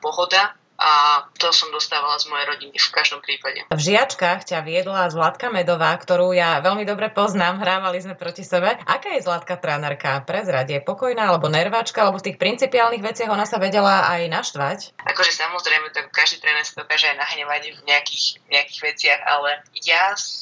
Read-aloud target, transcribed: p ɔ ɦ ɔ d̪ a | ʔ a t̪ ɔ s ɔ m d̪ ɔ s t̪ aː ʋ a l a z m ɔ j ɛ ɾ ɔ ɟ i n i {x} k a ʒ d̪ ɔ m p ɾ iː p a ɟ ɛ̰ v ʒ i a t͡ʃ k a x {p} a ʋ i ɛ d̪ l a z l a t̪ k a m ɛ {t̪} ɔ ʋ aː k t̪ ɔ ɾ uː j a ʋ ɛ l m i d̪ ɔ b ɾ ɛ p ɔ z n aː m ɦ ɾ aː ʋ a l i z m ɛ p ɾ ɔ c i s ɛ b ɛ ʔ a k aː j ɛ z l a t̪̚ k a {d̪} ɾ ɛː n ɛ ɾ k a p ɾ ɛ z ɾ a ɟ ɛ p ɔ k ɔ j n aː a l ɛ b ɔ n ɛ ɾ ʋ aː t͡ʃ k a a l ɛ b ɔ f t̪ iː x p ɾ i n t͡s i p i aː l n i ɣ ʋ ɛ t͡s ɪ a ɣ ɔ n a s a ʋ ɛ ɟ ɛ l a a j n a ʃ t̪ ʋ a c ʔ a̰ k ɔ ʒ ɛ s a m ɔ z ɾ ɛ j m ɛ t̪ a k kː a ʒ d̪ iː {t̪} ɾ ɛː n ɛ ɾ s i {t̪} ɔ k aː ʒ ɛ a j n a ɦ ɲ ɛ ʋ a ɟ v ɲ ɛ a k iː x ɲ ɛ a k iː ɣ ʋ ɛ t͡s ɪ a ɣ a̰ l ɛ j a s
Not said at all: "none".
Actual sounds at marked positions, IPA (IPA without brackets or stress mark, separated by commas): f, c, d̪, t̪, t̪, d̪